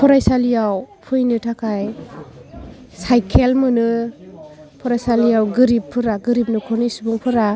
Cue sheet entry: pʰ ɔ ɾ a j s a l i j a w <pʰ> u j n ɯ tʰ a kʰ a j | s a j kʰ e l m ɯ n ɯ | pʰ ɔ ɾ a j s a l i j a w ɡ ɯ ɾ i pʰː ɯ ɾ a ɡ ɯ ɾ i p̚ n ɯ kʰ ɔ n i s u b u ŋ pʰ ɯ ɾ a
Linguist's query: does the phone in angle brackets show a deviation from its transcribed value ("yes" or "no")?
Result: no